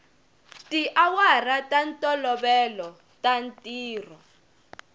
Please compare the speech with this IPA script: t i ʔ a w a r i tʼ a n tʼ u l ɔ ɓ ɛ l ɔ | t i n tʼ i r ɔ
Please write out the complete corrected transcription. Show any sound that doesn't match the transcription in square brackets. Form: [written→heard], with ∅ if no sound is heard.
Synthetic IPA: t i ʔ a w a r [i→a] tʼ a n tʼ [u→ɔ] l ɔ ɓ ɛ l ɔ | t [i→a] n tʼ [i→iː] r ɔ